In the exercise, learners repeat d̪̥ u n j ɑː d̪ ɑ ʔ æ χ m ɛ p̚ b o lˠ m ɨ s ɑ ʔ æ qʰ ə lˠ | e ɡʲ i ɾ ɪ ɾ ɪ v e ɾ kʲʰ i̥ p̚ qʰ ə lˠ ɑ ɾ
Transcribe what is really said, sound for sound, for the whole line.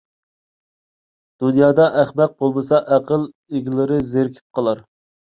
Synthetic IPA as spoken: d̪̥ u n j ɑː d̪ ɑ ʔ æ χ m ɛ q̚ b o lˠ m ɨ s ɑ ʔ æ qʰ ə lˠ | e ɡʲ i l ɪ ɾ ɪ z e ɾ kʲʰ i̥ p̚ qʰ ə lˠ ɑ ɾ